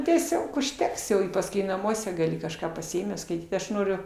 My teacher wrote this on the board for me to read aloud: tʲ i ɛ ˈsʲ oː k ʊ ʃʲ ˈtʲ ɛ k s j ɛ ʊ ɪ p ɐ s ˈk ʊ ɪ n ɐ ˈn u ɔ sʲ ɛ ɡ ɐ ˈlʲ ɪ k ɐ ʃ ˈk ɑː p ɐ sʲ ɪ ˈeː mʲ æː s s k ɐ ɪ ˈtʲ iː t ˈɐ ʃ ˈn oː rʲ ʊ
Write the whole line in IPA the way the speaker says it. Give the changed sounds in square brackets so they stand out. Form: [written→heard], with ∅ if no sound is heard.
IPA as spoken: tʲ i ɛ ˈsʲ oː k ʊ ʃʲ ˈtʲ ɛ k s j ɛ ʊ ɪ p ɐ s ˈk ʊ ɪ n ɐ [ˈn→ˈm] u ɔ sʲ ɛ ɡ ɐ ˈlʲ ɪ k ɐ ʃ ˈk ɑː p ɐ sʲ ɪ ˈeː mʲ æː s s k ɐ ɪ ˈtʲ iː t ˈɐ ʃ ˈn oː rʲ ʊ